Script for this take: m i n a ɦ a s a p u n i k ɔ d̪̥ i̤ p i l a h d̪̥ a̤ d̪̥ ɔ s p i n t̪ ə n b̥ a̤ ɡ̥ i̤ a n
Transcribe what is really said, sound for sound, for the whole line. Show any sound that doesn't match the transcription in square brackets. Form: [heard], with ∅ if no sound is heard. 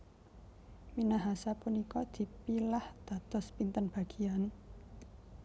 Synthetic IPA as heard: m i n a ɦ a s a p u n i k ɔ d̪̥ i̤ p i l a h d̪̥ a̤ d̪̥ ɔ s p i n t̪ ə n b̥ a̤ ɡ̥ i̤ a n